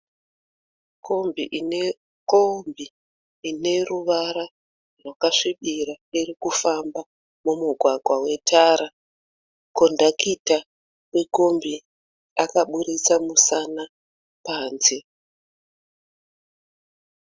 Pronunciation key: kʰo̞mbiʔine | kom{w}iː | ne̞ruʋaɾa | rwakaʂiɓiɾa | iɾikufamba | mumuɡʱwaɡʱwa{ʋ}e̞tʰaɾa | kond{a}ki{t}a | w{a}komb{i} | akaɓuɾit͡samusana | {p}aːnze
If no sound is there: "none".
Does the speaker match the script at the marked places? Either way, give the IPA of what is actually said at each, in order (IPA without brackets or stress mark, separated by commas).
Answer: b, w, a, t, e, i, p